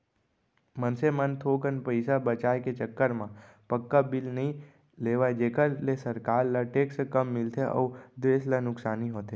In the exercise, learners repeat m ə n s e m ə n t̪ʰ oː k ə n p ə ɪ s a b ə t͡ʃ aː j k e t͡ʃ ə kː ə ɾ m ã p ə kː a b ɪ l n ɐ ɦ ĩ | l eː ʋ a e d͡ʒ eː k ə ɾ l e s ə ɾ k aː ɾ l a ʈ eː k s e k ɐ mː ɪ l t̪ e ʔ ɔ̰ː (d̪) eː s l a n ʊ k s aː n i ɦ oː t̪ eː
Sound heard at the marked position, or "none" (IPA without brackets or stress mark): d̪